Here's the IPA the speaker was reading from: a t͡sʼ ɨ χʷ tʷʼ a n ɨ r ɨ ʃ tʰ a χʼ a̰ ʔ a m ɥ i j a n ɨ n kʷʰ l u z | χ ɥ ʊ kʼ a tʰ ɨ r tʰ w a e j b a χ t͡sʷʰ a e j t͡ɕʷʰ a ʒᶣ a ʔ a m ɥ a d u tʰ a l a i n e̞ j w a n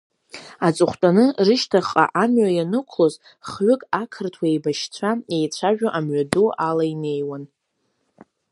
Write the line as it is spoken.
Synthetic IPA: a t͡sʼ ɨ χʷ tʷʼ a n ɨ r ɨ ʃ tʰ a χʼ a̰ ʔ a m ɥ a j a n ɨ kʷʰ l o z | χ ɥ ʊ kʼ a kʰ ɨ r tʰ w a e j b a ʃ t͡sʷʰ a e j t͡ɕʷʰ a ʒᶣ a ʔ a m ɥ a d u a l a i n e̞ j w a n